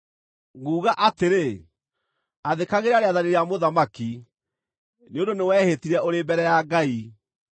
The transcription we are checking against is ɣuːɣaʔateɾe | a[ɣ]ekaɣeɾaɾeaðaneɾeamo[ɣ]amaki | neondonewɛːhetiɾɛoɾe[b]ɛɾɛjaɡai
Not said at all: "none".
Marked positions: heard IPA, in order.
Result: ð, ð, b

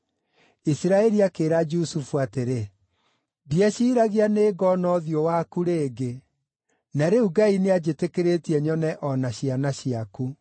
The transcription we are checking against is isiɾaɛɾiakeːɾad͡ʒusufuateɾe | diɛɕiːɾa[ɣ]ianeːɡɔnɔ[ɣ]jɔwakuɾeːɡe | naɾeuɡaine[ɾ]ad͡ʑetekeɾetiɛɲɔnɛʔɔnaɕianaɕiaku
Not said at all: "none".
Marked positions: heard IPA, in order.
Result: ɣ, ð, none

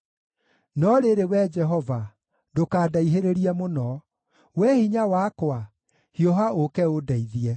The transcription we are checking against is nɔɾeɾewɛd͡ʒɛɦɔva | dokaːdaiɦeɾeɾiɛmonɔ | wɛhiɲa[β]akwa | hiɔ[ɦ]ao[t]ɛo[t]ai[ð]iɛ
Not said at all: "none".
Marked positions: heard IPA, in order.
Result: w, ɦ, k, d, ð

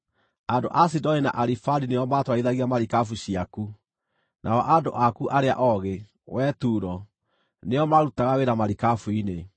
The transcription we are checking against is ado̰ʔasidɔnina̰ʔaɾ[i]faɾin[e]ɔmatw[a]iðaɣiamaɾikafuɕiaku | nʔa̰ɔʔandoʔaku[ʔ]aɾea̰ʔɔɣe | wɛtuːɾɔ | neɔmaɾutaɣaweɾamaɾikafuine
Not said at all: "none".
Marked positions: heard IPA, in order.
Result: i, e, a, ʔ

